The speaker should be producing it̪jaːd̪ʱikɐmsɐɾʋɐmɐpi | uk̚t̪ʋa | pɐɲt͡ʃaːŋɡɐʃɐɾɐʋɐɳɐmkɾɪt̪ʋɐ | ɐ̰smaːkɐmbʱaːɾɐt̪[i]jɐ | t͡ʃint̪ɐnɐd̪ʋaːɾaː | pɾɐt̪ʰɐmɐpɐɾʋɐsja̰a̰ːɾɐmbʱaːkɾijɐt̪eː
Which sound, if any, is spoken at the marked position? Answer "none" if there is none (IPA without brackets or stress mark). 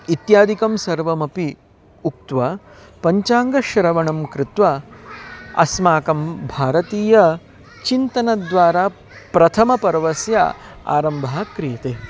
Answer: iː